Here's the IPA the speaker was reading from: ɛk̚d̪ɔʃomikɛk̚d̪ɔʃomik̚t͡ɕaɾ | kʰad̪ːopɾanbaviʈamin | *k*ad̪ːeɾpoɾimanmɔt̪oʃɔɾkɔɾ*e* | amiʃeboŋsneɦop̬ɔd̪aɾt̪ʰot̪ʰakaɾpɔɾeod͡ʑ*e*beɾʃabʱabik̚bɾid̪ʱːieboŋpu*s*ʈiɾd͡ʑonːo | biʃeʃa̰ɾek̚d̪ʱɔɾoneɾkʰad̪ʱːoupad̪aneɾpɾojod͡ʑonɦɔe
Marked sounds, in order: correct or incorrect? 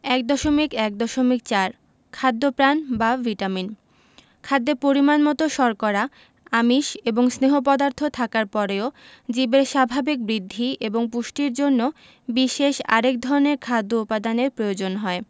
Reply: incorrect, incorrect, incorrect, incorrect

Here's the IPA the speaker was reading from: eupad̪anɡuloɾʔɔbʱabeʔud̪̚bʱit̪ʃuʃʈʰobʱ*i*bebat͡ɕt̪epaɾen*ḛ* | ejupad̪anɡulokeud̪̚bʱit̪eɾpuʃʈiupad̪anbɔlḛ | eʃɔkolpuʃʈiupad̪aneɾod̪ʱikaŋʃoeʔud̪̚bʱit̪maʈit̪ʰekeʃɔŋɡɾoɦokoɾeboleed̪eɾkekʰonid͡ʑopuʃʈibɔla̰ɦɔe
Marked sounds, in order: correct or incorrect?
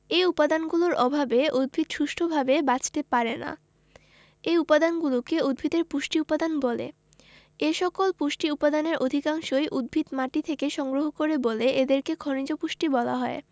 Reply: incorrect, incorrect

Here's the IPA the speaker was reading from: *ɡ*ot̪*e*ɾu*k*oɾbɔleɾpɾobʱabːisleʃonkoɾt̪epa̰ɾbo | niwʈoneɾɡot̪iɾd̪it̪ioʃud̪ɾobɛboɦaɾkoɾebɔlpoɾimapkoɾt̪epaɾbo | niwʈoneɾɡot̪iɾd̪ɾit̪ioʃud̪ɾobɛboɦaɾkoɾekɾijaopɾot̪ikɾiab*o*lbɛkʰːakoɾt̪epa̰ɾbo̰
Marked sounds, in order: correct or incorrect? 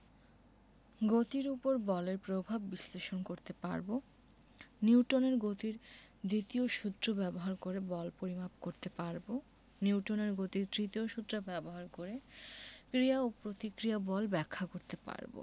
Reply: correct, incorrect, incorrect, incorrect

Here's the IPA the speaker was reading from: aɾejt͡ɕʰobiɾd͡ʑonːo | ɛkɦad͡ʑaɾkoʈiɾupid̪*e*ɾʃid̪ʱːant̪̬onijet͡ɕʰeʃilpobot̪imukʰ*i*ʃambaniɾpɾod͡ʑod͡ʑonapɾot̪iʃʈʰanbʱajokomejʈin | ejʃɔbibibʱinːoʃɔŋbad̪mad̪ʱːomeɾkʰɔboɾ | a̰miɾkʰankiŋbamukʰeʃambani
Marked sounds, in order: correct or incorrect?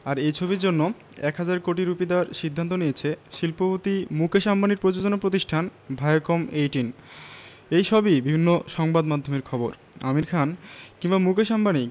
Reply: incorrect, incorrect

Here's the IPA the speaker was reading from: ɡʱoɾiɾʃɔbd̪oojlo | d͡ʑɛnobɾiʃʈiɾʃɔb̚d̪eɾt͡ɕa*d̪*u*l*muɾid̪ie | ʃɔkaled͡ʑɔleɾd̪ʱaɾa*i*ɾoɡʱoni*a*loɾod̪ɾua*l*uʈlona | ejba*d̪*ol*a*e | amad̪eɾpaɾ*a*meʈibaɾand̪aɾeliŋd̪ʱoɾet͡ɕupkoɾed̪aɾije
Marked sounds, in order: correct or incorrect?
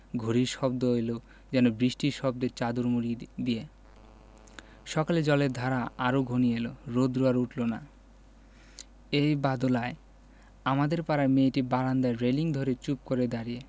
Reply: correct, incorrect, incorrect, incorrect, incorrect, correct, correct, correct

